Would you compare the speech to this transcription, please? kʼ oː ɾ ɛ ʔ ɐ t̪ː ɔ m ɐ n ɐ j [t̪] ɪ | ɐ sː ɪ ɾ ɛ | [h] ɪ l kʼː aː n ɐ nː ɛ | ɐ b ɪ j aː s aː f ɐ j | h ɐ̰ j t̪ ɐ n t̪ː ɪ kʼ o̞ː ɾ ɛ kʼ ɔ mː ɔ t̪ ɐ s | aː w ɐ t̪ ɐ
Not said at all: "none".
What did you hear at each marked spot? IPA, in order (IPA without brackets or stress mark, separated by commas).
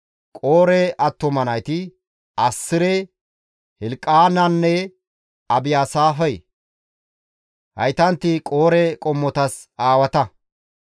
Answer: t̪, h